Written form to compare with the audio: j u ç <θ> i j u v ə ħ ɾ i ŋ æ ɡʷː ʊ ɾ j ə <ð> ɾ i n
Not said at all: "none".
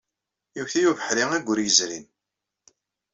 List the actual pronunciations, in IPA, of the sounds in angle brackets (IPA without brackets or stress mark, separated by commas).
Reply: θ, z